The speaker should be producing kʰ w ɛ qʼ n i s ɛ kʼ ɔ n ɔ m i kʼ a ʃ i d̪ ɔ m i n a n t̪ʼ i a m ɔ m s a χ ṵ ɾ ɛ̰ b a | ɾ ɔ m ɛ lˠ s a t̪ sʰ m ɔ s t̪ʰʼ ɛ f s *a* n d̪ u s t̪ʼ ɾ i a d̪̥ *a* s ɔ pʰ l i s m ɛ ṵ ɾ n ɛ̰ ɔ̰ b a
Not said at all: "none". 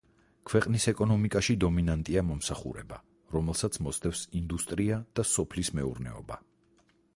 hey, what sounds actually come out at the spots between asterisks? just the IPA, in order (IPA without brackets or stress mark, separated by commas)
i, a